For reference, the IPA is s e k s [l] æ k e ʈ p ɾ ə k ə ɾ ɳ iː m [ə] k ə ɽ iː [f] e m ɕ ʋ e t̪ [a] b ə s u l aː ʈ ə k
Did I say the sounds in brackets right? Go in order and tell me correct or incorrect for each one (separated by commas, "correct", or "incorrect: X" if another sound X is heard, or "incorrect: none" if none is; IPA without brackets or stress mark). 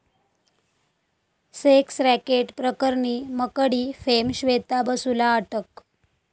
incorrect: ɾ, correct, correct, correct